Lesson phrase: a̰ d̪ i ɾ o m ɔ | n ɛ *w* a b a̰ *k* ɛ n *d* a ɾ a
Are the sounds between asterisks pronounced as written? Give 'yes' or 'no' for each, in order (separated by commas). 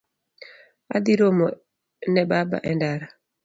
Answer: no, no, yes